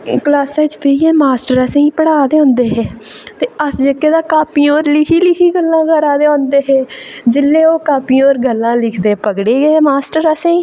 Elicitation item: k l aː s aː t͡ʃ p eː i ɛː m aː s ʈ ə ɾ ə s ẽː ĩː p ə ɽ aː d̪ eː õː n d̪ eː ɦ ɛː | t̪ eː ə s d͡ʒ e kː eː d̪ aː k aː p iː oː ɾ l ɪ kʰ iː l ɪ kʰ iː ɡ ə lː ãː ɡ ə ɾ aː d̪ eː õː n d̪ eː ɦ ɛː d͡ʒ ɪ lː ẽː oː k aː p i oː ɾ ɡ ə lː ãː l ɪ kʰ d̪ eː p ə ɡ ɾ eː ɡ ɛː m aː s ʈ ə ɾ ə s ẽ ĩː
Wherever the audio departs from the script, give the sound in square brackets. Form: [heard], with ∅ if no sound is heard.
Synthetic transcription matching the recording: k l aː s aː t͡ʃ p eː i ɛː m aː s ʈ ə ɾ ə s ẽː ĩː p ə ɽ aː d̪ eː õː n d̪ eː ɦ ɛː | t̪ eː ə s d͡ʒ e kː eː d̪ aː k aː p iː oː ɾ l ɪ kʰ iː l ɪ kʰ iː ɡ ə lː ãː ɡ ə ɾ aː d̪ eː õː n d̪ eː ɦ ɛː d͡ʒ ɪ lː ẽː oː k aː p i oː ɾ ɡ ə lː ãː l ɪ kʰ d̪ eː p ə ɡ [ɽ] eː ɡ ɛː m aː s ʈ ə ɾ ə s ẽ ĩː